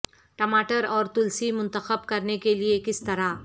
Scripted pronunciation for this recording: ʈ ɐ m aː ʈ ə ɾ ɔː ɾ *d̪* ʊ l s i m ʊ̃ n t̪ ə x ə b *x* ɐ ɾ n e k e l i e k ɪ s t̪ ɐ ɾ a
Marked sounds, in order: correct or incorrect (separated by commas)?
incorrect, incorrect